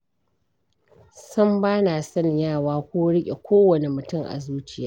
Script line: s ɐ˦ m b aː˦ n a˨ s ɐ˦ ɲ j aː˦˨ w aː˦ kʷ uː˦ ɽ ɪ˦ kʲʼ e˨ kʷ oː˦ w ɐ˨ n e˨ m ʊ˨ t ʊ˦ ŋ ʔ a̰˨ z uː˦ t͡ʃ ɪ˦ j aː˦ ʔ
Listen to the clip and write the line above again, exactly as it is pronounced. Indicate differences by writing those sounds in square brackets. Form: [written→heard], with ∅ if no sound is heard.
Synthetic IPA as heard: s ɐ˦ m b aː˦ n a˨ s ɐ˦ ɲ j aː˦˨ w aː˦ kʷ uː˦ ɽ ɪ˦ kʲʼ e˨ kʷ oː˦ w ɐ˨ n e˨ m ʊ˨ t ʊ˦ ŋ ʔ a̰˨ z uː˦ t͡ʃ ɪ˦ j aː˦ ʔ